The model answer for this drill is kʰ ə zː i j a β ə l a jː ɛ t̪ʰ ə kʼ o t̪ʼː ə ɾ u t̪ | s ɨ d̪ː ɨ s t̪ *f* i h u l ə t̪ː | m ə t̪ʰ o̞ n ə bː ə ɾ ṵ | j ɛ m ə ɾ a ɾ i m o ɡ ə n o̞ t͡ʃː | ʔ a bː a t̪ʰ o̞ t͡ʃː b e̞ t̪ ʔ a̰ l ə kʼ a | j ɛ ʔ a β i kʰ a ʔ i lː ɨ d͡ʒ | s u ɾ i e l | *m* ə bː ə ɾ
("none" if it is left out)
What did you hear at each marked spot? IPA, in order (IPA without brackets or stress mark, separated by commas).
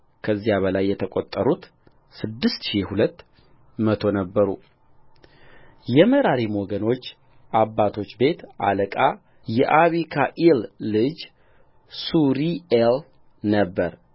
ʃ, n